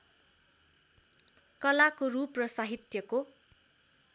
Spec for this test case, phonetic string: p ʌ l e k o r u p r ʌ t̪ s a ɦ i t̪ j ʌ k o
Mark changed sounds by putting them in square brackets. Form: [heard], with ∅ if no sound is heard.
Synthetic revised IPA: [k] ʌ l [a] k o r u p r ʌ [∅] s a ɦ i t̪ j ʌ k o